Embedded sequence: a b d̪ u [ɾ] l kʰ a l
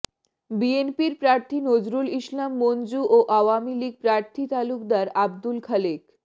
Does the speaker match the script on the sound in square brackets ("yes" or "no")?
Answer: no